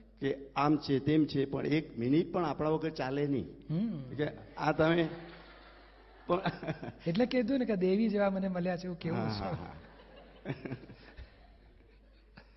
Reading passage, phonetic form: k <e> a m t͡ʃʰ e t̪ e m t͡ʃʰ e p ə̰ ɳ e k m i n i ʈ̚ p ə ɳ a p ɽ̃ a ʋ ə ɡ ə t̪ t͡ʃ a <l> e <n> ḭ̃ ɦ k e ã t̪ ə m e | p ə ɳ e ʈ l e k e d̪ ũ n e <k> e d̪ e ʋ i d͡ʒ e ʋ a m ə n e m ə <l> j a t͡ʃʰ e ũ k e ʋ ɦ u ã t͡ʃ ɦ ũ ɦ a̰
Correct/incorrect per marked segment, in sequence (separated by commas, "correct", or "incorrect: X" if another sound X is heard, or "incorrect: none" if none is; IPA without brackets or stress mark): correct, correct, correct, correct, correct